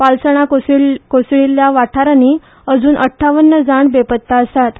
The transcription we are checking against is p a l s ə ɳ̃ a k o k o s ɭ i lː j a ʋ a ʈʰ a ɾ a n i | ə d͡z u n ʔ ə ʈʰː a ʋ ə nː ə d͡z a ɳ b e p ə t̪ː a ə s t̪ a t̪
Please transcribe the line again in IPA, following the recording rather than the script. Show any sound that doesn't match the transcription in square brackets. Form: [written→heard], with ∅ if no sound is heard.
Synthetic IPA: p a l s ə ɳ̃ a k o k o s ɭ i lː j a ʋ a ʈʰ a ɾ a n i | ə d͡z [u→uː] n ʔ ə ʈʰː a ʋ ə nː ə d͡z a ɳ b e p ə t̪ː a ə s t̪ a t̪